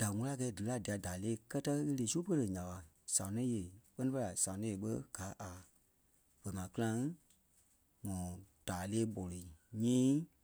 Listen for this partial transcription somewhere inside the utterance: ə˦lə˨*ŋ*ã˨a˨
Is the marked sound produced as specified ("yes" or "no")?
no